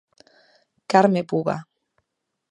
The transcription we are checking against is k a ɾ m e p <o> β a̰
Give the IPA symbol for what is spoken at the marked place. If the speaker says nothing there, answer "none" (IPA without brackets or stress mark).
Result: u